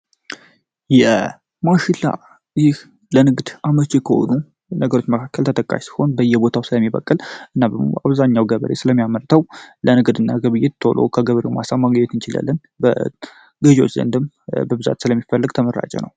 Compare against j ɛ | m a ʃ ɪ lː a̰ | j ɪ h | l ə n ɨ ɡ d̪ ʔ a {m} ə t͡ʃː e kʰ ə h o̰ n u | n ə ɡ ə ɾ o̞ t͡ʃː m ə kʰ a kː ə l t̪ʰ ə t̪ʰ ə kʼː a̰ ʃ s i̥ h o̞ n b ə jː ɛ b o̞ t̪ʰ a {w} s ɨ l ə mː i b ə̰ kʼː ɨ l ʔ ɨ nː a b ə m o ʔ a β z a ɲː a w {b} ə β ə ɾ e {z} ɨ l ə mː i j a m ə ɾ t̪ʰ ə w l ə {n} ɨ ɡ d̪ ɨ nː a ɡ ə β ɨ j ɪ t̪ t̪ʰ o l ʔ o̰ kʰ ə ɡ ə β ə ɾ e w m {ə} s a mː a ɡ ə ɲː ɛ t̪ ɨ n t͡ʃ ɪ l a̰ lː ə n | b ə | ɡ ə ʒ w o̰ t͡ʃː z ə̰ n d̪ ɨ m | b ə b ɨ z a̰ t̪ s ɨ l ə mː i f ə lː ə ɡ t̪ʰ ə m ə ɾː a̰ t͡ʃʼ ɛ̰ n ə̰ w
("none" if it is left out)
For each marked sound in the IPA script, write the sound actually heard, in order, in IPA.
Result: m, w, ɡ, s, n, a

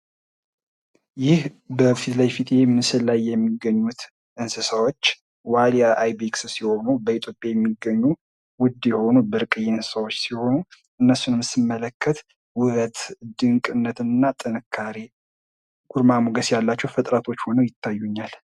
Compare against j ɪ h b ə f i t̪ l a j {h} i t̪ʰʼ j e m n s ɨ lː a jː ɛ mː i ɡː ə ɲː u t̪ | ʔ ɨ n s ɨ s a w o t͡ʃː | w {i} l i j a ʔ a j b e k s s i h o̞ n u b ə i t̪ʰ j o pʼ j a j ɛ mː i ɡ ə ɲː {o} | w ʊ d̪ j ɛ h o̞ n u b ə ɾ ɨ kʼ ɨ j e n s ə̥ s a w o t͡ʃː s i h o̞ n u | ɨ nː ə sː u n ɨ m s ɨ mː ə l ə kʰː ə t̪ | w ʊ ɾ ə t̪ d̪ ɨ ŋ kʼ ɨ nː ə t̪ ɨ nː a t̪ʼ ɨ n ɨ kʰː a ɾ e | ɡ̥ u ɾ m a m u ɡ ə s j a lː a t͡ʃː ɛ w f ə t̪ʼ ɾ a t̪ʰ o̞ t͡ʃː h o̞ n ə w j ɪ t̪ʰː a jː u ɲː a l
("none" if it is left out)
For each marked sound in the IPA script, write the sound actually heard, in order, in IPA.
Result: f, a, u

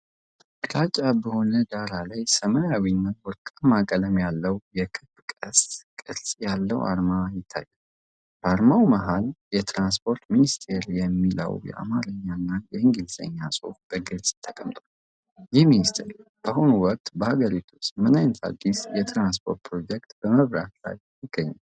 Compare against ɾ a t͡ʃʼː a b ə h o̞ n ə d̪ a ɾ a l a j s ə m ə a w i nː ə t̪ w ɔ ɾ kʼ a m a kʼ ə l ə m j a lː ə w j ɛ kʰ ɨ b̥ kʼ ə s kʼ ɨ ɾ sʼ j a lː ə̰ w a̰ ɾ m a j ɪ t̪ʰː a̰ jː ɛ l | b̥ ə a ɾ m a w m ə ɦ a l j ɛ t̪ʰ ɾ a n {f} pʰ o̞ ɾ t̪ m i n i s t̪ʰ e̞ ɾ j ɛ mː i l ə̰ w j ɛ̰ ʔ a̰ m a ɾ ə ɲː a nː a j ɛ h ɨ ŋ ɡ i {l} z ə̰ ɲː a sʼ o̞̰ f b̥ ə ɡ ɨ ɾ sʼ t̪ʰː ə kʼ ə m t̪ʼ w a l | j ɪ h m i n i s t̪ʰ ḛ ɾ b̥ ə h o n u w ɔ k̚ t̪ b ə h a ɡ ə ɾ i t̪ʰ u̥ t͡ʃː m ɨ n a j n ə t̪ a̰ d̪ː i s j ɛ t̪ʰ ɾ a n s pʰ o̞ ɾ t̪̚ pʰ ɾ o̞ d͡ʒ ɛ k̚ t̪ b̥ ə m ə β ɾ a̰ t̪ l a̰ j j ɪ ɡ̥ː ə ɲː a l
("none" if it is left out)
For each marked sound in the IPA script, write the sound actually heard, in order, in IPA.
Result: s, l

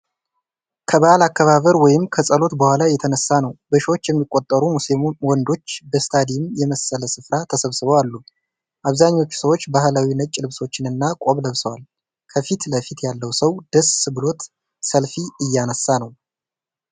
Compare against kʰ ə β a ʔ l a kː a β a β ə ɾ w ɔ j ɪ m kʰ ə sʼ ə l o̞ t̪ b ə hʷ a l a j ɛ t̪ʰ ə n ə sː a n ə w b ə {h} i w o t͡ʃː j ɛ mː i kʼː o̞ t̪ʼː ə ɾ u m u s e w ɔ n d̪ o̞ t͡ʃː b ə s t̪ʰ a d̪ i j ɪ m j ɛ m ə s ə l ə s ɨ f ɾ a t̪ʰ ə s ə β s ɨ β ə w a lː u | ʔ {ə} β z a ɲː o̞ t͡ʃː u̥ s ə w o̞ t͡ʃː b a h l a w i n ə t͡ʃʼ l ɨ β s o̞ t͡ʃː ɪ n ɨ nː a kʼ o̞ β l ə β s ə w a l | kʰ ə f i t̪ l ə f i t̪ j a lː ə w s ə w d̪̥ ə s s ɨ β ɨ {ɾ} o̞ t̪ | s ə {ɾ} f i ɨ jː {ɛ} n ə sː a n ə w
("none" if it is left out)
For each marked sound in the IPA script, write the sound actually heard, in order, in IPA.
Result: ʃ, a, l, l, a

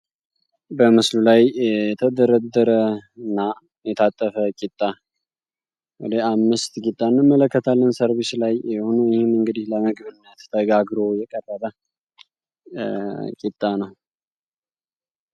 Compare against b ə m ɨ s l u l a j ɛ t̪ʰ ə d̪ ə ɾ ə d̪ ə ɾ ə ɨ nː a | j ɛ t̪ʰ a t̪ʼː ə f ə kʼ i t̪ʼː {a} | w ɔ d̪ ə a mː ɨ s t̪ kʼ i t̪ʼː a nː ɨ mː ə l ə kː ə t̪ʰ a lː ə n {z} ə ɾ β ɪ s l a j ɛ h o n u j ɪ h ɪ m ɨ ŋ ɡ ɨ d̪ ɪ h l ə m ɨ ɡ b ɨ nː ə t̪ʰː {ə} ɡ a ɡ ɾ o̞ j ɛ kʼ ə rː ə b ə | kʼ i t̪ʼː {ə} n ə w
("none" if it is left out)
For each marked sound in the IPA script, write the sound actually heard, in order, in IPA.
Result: a, s, ə, a

